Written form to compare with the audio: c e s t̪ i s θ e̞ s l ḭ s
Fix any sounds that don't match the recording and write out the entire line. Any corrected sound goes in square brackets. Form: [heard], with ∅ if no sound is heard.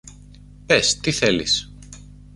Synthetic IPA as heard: [p] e s t̪ i [∅] θ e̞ [∅] l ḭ s